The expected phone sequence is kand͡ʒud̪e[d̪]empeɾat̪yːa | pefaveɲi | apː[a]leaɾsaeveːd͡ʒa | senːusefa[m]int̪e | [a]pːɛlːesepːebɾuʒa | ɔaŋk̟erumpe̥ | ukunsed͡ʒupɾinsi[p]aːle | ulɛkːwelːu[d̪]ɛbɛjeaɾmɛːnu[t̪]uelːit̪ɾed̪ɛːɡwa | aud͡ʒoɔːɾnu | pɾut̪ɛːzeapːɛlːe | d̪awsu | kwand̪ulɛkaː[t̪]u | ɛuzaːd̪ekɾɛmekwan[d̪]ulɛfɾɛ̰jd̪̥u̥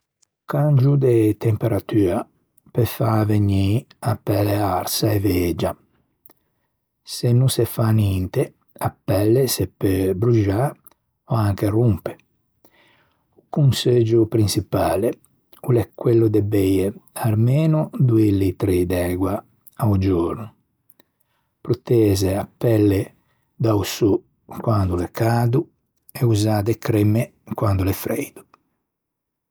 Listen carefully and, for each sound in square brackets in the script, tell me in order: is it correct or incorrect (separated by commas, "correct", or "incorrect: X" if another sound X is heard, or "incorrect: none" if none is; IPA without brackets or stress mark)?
incorrect: t̪, incorrect: ɛ, incorrect: n, correct, correct, correct, incorrect: d̪, incorrect: d̪, correct